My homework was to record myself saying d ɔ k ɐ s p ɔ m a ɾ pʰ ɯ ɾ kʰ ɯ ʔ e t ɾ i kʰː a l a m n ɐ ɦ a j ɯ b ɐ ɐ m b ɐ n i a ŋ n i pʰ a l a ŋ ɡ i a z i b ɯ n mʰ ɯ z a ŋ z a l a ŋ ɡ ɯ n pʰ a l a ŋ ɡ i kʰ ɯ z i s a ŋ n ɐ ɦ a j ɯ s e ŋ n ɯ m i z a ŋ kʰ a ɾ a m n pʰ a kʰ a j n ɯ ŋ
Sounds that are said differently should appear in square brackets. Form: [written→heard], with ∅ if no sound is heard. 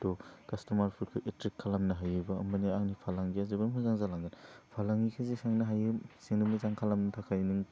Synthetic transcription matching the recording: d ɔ k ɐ s [p→t] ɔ m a ɾ pʰ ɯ ɾ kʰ ɯ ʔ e t ɾ i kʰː a l a m n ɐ ɦ a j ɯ b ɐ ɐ m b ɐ n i a ŋ n i pʰ a l a ŋ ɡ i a z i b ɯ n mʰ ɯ z a ŋ z a l a ŋ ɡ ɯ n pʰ a l a ŋ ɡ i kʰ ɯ z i s a ŋ n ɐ ɦ a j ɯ s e ŋ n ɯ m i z a ŋ kʰ a [ɾ→l] a m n [pʰ→tʰ] a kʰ a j n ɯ ŋ